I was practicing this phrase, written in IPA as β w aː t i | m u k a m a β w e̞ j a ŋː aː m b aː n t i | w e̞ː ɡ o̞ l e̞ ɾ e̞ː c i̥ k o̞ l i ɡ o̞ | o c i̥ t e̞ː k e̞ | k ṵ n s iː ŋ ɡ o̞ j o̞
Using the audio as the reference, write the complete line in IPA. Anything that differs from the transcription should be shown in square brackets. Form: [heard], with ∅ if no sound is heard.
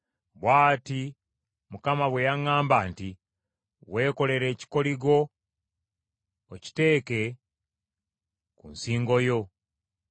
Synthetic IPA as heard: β w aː t i | m u k a m a β w e̞ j a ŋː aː m b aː n t i | w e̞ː [k] o̞ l e̞ ɾ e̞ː c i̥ k o̞ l i ɡ o̞ | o c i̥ t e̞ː k e̞ | k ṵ n s iː ŋ ɡ o̞ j o̞